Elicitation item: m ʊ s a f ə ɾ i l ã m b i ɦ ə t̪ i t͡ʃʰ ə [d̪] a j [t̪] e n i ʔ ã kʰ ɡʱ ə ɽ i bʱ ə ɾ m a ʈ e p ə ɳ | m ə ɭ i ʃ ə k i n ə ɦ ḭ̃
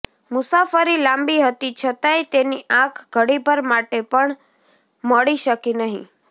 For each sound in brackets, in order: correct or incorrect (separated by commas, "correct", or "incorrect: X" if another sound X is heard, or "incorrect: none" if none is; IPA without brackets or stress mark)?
incorrect: t̪, correct